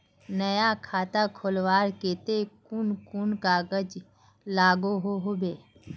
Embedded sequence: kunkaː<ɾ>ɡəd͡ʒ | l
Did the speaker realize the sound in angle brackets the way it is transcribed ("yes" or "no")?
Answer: no